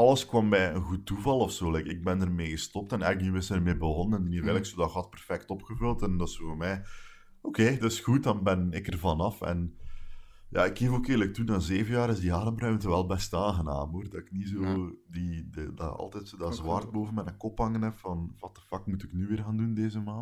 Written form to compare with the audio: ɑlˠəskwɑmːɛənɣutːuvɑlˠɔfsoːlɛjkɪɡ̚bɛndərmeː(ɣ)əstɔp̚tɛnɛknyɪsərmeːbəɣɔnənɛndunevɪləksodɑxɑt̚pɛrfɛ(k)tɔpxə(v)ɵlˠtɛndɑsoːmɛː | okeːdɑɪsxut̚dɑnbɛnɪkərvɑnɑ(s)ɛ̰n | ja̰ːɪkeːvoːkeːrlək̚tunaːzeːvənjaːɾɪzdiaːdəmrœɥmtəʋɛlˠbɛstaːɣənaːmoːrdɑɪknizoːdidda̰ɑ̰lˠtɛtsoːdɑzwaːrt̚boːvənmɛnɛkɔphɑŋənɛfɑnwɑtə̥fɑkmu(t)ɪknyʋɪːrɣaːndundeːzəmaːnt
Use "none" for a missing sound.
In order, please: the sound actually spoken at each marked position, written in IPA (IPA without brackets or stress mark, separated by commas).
ɣ, k, v, f, t